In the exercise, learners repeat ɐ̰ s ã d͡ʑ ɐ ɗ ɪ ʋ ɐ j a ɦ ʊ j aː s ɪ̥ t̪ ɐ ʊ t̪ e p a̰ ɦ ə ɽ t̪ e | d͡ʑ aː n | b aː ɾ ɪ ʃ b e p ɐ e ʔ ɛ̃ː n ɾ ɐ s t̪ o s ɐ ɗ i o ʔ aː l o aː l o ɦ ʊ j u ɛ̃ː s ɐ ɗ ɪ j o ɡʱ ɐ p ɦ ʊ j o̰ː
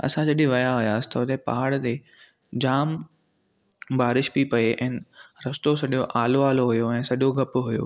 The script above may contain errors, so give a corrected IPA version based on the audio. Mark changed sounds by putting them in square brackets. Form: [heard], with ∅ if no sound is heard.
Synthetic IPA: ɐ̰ s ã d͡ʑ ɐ ɗ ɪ ʋ ɐ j a ɦ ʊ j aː s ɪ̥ t̪ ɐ ʊ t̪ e p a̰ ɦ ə ɽ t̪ e | d͡ʑ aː [m] | b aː ɾ ɪ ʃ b [i] p ɐ e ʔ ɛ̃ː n ɾ ɐ s t̪ o s ɐ ɗ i o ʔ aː l o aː l o ɦ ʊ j [o] ɛ̃ː s ɐ ɗ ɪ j o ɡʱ ɐ p ɦ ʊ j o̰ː